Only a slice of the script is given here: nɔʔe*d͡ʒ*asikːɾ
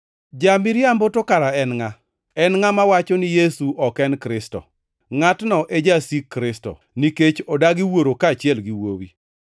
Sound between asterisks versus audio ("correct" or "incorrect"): correct